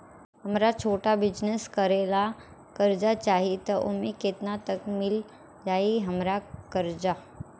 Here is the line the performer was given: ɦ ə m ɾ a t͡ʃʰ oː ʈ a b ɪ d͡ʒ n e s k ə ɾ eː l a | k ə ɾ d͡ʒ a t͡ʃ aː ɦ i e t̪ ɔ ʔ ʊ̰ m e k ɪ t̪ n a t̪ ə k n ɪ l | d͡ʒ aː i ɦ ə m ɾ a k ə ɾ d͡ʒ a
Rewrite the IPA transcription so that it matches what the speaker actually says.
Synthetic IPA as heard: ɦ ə m ɾ a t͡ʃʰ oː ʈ a b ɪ d͡ʒ n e s k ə ɾ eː l a | k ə ɾ d͡ʒ a t͡ʃ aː ɦ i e t̪ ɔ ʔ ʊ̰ m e k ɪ t̪ n a t̪ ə k m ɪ l | d͡ʒ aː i ɦ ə m ɾ a k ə ɾ d͡ʒ a